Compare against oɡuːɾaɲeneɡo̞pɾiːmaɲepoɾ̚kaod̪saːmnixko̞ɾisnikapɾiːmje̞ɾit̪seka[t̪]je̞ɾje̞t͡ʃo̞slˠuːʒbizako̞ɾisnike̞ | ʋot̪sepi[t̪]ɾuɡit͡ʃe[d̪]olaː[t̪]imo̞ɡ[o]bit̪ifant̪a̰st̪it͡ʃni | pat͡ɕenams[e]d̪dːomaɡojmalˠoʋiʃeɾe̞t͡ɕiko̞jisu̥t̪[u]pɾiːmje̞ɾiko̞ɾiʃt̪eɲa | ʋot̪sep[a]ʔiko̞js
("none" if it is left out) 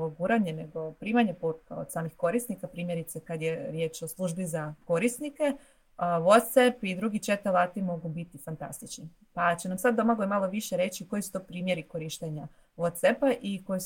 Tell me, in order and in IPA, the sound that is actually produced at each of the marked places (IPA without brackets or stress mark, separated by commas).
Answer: d̪, d̪, t̪, t̪, u, a, o, a